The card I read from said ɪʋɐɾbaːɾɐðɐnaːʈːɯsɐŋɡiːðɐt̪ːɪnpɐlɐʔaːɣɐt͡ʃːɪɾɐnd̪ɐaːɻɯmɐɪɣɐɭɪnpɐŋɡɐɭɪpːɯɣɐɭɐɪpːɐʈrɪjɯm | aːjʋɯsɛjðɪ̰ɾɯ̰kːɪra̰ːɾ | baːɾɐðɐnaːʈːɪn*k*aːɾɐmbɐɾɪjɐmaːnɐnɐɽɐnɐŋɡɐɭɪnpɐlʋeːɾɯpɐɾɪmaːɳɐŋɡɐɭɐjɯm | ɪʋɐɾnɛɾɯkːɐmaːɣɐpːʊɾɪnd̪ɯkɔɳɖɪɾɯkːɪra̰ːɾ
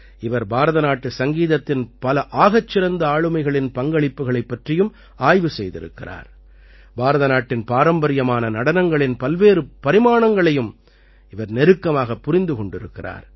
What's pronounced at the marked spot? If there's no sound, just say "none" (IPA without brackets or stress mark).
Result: p